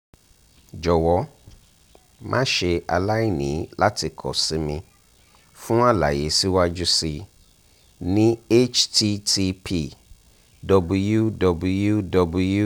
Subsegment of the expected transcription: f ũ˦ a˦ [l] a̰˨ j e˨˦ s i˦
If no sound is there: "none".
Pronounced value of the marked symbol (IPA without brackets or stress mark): l